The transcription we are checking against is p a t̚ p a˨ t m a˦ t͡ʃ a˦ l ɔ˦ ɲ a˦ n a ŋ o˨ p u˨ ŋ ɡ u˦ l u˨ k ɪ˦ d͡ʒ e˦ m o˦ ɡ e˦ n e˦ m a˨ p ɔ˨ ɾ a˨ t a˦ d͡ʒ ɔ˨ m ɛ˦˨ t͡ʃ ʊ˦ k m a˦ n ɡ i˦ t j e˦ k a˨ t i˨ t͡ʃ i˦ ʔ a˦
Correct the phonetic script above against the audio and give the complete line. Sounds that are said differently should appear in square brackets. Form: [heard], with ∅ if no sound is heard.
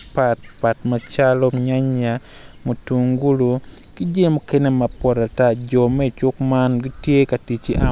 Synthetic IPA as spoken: p a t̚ p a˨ t m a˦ t͡ʃ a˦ l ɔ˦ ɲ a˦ [ɲ] a [m] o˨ [t] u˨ ŋ ɡ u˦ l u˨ k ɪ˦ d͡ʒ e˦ m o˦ [k] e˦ n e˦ m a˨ p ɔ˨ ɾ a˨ t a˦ d͡ʒ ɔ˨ m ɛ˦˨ t͡ʃ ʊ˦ k m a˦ n ɡ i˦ t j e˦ k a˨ t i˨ t͡ʃ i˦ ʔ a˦